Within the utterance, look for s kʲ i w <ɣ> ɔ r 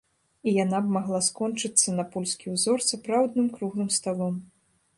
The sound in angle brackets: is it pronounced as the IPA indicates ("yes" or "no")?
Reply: no